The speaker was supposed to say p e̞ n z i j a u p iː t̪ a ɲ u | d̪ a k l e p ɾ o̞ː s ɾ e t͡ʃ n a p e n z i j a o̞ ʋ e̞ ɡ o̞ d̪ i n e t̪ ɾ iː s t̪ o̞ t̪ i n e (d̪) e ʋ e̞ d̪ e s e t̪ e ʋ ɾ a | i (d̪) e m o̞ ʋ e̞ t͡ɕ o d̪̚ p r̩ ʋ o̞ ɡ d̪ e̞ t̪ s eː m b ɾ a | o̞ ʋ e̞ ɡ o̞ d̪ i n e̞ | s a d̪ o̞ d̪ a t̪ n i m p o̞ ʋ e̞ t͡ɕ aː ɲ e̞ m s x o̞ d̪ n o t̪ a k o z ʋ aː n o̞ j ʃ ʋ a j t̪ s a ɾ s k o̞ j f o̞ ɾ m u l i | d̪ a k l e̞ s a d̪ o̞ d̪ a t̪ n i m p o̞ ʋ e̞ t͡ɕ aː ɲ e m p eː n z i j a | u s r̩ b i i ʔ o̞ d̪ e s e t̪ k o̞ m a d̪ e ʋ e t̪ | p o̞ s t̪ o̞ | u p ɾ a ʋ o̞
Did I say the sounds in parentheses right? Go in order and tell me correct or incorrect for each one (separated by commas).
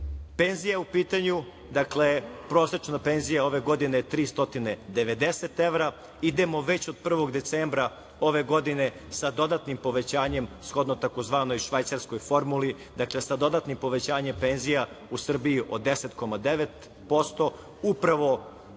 correct, correct